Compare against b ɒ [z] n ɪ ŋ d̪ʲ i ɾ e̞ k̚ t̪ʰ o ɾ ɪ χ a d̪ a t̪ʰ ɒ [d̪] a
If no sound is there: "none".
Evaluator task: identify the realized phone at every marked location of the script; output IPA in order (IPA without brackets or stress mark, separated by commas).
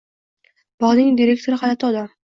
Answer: ʁ, d̪